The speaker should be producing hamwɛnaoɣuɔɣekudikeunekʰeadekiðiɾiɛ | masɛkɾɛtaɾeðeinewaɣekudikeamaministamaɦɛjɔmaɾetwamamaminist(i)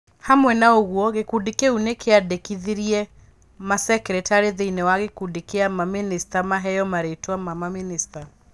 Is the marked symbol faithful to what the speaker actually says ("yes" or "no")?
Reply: no